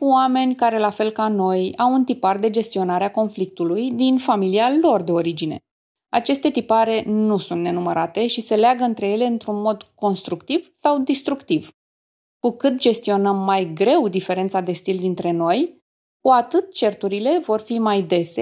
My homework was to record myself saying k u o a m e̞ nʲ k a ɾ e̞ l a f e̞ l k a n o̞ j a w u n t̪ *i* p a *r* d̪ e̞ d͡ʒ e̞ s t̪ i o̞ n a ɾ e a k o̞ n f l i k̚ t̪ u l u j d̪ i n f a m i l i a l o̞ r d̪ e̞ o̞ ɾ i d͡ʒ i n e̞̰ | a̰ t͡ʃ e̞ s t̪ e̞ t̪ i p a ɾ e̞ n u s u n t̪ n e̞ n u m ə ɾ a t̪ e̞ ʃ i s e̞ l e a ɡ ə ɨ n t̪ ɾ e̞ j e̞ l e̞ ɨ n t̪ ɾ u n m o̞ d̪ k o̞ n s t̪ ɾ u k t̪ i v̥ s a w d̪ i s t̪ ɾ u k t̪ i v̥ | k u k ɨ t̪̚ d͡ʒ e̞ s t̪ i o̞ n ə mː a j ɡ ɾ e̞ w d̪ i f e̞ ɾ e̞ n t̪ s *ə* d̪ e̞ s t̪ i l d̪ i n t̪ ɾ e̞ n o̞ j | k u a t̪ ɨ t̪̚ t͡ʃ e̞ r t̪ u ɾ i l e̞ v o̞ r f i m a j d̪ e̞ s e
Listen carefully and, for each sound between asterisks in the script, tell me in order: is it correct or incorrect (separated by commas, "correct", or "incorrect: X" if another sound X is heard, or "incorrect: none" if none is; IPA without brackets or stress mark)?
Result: correct, correct, incorrect: a